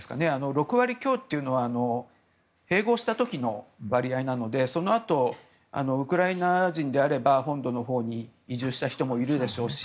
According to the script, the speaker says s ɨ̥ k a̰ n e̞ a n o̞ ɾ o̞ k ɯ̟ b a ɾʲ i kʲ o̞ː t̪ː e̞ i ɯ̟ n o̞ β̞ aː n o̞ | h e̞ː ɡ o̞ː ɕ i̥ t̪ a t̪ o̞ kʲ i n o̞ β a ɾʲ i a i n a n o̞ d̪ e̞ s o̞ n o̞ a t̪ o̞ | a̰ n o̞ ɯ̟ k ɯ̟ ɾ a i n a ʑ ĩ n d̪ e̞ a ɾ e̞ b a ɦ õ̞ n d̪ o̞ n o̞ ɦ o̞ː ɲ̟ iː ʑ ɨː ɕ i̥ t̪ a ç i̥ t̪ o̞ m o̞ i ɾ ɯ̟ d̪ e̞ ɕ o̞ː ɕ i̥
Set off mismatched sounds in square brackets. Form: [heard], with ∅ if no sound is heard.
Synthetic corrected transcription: s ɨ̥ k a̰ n e̞ a n o̞ ɾ o̞ k ɯ̟ [β] a ɾʲ i kʲ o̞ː t̪ː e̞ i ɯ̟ n o̞ β̞ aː n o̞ | h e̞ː ɡ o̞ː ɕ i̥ t̪ a t̪ o̞ kʲ i n o̞ β a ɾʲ i a i n a n o̞ d̪ e̞ s o̞ n o̞ a t̪ o̞ | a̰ n o̞ ɯ̟ k ɯ̟ ɾ a i n a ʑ ĩ n d̪ e̞ a ɾ e̞ b a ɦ õ̞ n d̪ o̞ n o̞ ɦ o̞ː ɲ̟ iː ʑ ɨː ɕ i̥ t̪ a ç i̥ t̪ o̞ m o̞ i ɾ ɯ̟ d̪ e̞ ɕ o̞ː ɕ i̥